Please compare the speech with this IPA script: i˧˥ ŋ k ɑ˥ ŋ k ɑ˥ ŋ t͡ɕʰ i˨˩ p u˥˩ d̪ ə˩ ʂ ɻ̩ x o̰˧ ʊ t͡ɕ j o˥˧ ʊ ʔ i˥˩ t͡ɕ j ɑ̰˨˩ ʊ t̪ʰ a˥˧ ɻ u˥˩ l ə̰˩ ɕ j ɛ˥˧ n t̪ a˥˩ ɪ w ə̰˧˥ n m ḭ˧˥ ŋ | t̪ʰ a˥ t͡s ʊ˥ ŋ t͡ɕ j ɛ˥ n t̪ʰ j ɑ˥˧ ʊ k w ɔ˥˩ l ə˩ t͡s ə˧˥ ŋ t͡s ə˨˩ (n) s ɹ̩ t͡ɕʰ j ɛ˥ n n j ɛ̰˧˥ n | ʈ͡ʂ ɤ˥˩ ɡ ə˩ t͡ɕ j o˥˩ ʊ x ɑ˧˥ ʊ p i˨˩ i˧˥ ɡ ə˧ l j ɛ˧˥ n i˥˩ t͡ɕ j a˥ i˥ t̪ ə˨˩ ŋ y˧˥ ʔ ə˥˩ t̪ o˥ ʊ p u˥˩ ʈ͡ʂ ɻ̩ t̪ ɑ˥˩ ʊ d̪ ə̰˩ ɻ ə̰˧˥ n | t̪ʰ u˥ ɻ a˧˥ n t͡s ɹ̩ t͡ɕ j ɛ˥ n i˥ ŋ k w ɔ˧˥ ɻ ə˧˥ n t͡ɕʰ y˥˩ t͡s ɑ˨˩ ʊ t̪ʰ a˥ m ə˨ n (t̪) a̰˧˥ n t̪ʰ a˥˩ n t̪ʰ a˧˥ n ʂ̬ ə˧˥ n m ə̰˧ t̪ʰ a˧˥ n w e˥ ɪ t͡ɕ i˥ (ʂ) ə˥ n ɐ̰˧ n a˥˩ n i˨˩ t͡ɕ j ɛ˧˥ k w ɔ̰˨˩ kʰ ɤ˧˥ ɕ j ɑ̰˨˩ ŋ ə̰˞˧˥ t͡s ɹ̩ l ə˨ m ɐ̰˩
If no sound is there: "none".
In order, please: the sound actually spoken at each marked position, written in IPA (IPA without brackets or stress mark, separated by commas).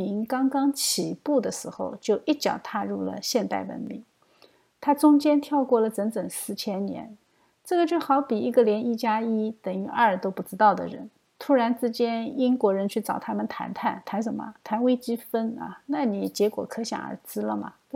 ŋ, t̪ʰ, f